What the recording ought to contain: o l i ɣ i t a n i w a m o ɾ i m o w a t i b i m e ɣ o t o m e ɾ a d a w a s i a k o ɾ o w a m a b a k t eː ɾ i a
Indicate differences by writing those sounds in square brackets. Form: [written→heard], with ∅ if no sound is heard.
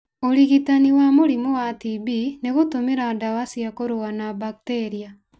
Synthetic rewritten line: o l i ɣ i t a n i w a m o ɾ i m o w a t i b i [m→n] e ɣ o t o m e ɾ a d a w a s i a k o ɾ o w a [m→n] a b a k t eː ɾ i a